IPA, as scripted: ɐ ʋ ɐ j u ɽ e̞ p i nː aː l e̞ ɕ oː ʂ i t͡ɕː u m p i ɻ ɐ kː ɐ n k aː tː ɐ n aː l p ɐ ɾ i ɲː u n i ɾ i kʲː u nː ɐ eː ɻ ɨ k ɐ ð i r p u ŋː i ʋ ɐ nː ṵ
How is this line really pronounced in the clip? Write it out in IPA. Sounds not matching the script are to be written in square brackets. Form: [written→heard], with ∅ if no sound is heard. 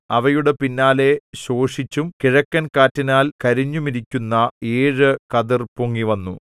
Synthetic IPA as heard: ɐ ʋ ɐ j u ɽ e̞ p i nː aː l e̞ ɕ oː ʂ i t͡ɕː u m [p→k] i ɻ ɐ kː ɐ n k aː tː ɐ n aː l [p→k] ɐ ɾ i ɲː u [n→m] i ɾ i kʲː u nː ɐ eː ɻ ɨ k ɐ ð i r p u ŋː i ʋ ɐ nː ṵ